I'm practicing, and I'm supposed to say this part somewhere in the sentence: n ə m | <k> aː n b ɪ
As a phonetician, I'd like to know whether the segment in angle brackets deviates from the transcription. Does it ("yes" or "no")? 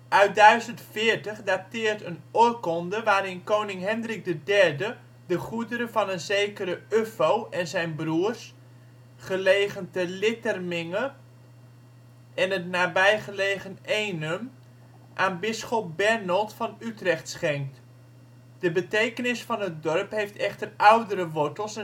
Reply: yes